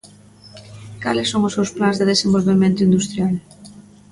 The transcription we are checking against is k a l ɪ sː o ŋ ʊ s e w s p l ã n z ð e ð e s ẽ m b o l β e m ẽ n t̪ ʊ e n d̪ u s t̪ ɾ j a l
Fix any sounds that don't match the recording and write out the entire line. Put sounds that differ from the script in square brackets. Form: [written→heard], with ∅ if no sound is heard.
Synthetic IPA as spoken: k a l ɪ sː o ŋ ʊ s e w s p l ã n z ð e ð e s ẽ m b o l β e m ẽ n t̪ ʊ [e→i] n d̪ u s t̪ ɾ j a l